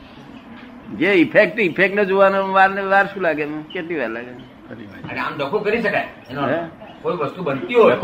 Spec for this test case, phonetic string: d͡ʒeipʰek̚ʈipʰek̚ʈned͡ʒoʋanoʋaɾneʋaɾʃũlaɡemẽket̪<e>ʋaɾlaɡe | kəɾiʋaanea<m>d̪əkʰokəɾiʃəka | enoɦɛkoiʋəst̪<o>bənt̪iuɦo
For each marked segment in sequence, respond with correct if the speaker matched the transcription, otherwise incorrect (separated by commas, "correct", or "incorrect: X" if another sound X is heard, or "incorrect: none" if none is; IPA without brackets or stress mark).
incorrect: i, correct, incorrect: u